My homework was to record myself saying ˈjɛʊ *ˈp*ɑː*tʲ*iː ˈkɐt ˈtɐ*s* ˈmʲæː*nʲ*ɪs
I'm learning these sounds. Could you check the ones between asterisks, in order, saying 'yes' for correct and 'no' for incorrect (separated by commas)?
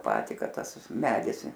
yes, yes, yes, no